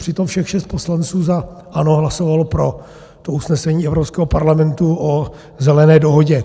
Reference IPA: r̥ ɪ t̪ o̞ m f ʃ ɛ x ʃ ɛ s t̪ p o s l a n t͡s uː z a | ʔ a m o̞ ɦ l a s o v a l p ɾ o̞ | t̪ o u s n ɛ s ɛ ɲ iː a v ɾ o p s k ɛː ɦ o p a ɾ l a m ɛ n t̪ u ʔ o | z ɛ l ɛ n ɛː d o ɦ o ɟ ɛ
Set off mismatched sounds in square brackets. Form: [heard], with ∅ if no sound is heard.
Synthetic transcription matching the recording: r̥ ɪ t̪ o̞ m f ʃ ɛ x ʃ ɛ s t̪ p o s l a n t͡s uː z a | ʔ a [n] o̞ ɦ l a s o v a l p ɾ o̞ | t̪ o u s n ɛ s ɛ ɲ iː [ɛ] v ɾ o p s k ɛː ɦ o p a ɾ l a m ɛ n t̪ u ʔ o | z ɛ l ɛ n ɛː d o ɦ o ɟ ɛ